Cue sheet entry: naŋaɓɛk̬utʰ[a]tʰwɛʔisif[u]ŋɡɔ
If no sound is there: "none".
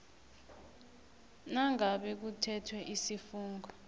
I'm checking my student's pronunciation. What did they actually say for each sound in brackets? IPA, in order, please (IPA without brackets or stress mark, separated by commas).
ɛ, uː